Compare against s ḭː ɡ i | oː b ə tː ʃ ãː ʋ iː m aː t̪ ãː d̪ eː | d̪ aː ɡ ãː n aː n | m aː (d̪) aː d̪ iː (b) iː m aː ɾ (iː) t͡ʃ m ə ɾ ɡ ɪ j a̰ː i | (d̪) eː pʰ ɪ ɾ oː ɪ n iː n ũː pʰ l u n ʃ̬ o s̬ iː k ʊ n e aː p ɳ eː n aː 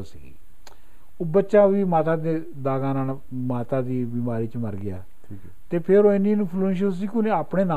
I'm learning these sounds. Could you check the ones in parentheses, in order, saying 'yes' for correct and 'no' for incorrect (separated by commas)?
no, yes, yes, no